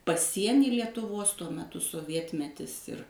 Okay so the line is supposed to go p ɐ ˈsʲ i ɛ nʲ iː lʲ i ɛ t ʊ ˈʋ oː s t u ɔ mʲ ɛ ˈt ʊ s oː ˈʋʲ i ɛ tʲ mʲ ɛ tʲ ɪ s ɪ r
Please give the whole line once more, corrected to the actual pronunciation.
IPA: p ɐ ˈsʲ i ɛ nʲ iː lʲ i ɛ t ʊ ˈʋ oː s t u ɔ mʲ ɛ ˈt ʊ s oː ˈʋʲ i ɛ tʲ mʲ ɛ tʲ ɪ s ɪ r